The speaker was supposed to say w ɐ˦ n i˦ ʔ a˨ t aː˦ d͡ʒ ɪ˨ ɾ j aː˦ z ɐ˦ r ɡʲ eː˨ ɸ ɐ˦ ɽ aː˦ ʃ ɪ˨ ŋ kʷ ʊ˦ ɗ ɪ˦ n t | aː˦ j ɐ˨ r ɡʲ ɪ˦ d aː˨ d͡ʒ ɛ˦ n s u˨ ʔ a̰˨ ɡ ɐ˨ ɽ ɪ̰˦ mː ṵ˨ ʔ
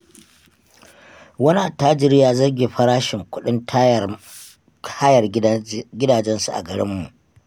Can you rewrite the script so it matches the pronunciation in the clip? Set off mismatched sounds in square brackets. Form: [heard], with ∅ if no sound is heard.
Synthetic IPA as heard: w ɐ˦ n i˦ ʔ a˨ t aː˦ d͡ʒ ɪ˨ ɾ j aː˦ z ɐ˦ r ɡʲ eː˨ ɸ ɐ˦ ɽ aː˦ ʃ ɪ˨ ŋ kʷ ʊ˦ ɗ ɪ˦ n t | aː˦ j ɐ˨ r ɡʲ ɪ˦ d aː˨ d͡ʒ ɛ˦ n s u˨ ʔ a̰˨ ɡ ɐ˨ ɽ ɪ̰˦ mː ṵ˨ ʔ